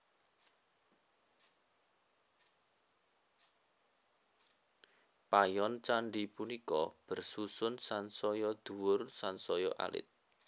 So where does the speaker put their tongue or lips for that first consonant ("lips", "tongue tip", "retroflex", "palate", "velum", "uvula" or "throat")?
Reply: lips